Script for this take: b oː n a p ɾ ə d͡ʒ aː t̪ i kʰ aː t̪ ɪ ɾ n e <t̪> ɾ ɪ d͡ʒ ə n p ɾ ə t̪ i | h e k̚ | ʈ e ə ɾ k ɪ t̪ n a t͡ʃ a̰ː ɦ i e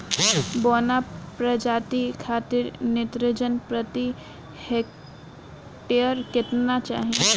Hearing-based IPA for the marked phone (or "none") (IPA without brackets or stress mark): t̪